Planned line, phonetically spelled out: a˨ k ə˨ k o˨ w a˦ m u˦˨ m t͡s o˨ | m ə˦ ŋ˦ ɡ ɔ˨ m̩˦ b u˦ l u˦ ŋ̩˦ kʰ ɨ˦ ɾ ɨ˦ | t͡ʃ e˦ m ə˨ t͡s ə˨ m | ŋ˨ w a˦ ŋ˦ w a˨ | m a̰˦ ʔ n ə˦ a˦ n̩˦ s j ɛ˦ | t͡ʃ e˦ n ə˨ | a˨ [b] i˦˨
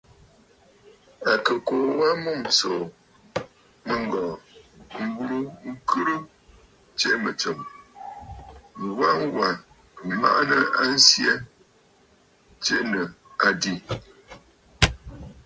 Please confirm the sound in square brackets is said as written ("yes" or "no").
no